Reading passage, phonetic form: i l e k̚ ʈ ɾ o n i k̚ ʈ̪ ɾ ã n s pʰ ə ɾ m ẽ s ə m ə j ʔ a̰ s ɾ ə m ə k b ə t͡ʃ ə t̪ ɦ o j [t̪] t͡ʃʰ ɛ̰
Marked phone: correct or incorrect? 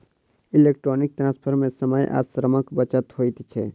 correct